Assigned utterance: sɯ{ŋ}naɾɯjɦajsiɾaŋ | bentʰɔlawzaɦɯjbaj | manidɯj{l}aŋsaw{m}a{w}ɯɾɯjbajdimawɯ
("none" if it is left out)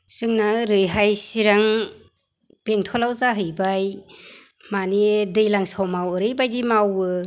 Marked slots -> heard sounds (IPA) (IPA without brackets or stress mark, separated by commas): ŋ, l, m, w